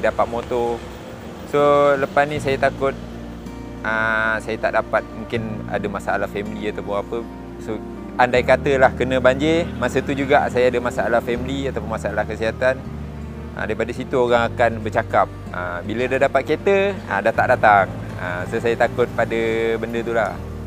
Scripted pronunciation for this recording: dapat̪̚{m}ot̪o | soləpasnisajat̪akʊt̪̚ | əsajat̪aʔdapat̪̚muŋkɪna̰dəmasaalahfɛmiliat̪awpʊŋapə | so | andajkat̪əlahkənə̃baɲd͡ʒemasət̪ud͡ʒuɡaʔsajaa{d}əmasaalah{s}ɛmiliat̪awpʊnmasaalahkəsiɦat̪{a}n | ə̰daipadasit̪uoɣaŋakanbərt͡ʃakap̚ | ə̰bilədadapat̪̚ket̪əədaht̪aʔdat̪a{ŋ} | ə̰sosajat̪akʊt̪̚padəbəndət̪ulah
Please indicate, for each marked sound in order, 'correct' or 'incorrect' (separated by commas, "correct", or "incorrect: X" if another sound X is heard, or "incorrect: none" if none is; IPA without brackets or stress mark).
correct, correct, incorrect: f, correct, correct